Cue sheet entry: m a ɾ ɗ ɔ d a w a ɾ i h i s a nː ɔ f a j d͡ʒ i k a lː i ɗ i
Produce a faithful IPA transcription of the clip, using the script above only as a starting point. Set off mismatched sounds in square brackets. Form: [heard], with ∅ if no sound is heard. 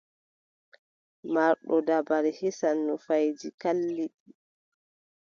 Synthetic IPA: m a ɾ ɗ ɔ d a [b] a ɾ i h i s a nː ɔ f a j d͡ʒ i k a lː i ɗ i